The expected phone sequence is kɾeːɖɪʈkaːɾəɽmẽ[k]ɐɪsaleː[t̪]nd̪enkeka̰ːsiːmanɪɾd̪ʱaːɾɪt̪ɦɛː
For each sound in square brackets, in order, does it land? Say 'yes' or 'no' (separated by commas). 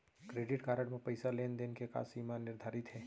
no, no